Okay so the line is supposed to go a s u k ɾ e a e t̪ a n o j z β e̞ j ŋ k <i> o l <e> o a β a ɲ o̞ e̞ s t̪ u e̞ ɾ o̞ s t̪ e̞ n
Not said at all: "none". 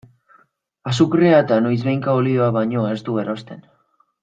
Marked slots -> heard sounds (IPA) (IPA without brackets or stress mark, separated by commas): a, i